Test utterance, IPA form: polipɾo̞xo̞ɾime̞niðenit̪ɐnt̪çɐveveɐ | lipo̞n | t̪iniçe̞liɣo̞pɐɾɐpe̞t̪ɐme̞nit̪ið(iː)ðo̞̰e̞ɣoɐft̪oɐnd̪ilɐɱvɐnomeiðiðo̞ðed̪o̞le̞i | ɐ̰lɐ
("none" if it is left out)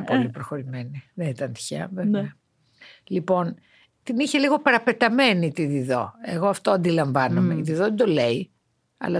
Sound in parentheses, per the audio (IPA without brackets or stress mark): i